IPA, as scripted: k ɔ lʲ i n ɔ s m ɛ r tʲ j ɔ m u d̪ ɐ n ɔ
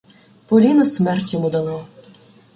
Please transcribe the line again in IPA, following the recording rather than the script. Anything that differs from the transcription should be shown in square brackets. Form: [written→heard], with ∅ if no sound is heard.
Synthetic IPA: [k→p] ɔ lʲ i n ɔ s m ɛ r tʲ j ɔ m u d̪ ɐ n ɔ